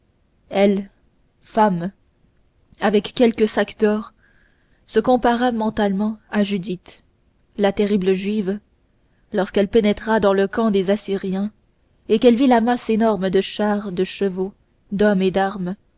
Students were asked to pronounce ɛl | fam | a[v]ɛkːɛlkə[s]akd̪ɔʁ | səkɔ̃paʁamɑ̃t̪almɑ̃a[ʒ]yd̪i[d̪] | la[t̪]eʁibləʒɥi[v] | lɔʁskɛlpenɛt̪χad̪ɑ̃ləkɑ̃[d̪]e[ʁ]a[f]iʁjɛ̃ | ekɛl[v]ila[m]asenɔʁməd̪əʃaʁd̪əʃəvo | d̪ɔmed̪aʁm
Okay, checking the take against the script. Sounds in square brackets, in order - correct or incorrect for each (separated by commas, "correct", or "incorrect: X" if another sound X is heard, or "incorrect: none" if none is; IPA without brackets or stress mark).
correct, correct, correct, incorrect: t̪, correct, correct, correct, incorrect: z, incorrect: s, correct, correct